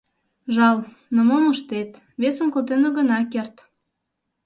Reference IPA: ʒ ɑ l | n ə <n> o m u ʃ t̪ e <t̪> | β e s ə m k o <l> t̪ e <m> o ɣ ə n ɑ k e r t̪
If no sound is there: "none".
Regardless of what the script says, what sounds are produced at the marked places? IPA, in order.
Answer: m, t̪, l, n

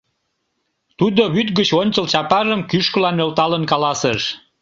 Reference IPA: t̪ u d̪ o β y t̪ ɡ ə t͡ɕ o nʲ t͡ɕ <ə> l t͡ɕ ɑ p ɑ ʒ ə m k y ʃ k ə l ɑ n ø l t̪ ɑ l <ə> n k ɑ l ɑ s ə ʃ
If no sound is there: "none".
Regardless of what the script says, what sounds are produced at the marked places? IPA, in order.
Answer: ə, ə

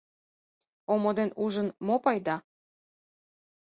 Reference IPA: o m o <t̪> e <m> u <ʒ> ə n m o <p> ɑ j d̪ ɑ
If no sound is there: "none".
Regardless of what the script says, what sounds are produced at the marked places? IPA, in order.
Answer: d̪, n, ʒ, p

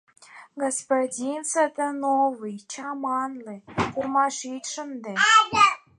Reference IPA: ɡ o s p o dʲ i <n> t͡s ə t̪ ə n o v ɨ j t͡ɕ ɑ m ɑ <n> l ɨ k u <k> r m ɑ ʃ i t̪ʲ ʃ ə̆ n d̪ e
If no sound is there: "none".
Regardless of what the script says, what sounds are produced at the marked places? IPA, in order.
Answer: n, n, none

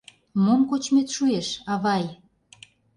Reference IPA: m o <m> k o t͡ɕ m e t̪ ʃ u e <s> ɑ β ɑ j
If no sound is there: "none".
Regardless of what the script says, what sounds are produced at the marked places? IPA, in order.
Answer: m, ʃ

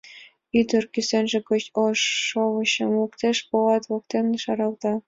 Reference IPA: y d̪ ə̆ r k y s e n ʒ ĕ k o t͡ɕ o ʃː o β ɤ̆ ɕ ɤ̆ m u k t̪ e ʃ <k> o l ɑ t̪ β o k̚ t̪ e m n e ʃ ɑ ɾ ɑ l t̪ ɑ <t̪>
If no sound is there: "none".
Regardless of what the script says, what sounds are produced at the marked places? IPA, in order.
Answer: p, none

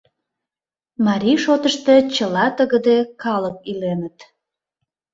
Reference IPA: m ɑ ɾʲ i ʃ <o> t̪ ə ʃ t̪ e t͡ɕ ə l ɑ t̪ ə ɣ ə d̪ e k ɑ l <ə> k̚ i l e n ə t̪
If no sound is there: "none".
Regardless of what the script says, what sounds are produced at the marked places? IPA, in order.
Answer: o, ə

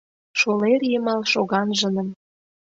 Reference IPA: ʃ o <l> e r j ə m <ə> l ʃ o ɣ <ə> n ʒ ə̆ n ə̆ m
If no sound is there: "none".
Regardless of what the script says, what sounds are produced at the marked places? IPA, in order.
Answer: l, ɑ, ɑ

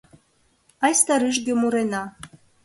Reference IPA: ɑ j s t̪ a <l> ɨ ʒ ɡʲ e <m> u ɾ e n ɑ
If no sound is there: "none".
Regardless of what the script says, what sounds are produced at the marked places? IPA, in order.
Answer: ɾ, m

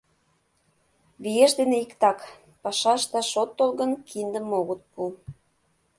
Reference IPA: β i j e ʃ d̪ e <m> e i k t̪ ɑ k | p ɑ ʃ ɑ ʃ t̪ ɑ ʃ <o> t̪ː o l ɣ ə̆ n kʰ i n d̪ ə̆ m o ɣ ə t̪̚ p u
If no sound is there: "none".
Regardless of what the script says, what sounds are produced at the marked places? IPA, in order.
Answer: n, o

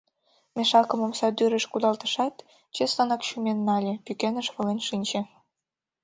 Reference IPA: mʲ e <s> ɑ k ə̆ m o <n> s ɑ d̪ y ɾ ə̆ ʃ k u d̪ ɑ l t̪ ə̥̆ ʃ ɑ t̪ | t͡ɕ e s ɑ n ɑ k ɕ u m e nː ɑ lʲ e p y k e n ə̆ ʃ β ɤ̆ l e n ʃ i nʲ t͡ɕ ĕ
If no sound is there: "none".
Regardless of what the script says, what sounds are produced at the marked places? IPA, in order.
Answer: ʃ, m

